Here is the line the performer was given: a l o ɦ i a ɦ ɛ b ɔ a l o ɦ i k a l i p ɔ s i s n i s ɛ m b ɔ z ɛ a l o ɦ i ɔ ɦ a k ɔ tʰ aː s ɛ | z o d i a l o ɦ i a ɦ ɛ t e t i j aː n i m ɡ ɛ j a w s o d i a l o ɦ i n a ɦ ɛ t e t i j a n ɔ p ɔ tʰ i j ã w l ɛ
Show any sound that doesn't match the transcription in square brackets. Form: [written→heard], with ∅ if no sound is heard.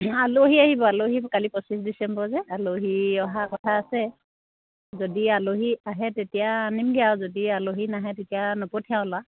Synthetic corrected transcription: a l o ɦ i a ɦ [ɛ→i] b ɔ a l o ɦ i k a l i p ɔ s i s [n→d] i s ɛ m b ɔ z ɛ a l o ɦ i ɔ ɦ a k ɔ tʰ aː s ɛ | z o d i a l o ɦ i a ɦ ɛ t e t i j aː n i m ɡ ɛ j a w [s→z] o d i a l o ɦ i n a ɦ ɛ t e t i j a n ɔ p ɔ tʰ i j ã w l [ɛ→a]